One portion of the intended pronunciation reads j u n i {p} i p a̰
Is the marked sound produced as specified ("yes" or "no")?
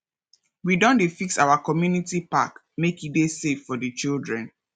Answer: no